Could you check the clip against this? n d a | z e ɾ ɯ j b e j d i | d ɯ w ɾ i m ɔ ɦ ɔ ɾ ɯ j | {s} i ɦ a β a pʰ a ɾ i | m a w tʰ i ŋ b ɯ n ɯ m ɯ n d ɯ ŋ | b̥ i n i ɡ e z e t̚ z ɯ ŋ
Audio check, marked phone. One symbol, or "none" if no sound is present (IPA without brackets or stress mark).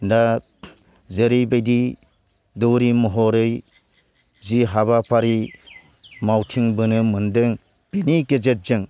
z